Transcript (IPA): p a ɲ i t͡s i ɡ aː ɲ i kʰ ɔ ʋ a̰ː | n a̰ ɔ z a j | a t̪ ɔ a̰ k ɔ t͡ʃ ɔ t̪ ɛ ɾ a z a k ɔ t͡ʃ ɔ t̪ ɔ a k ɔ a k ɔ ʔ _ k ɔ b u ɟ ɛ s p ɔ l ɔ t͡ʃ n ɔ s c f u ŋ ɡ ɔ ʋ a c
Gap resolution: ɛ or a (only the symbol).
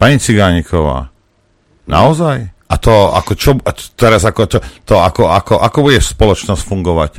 a